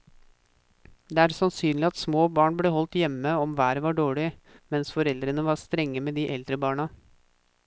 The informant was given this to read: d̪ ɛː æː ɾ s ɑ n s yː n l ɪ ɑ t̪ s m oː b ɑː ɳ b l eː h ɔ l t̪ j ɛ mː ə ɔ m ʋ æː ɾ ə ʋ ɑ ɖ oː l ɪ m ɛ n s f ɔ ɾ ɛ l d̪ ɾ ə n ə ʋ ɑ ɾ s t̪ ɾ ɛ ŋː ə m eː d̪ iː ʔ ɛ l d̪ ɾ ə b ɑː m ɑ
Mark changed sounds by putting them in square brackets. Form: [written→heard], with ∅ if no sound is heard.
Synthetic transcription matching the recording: d̪ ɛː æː ɾ s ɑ n s yː n l ɪ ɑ t̪ s m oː b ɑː ɳ b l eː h ɔ l t̪ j ɛ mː ə ɔ m ʋ æː ɾ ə ʋ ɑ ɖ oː [l→ɭ] ɪ m ɛ n s f ɔ ɾ ɛ l d̪ ɾ ə n ə ʋ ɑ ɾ s t̪ ɾ ɛ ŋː ə m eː d̪ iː ʔ ɛ l d̪ ɾ ə b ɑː [m→ɳ] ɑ